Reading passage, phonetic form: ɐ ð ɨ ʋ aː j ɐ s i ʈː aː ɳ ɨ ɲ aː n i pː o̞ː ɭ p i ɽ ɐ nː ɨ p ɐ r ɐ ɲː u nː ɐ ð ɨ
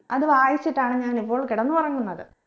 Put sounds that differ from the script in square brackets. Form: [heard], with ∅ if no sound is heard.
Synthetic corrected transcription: ɐ ð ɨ ʋ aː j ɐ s i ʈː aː ɳ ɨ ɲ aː n i pː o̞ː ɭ [k] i ɽ ɐ nː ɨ p ɐ r ɐ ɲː u nː ɐ ð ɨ